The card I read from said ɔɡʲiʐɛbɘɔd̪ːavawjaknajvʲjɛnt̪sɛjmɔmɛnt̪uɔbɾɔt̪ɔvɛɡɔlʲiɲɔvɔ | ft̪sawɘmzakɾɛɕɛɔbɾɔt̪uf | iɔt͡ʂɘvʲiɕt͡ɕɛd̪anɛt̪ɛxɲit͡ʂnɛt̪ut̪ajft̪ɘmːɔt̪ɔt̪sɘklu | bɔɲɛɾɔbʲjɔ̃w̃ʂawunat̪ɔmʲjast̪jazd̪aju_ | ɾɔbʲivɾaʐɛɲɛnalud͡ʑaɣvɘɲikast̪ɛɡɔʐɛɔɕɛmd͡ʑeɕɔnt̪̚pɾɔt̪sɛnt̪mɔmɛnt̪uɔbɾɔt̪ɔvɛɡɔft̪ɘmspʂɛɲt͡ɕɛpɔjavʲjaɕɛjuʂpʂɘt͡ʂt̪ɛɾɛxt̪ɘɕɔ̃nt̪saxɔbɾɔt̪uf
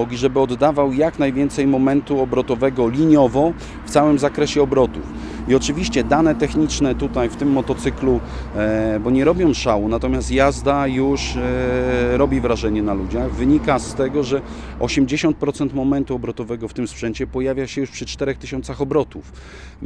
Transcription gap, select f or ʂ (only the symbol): ʂ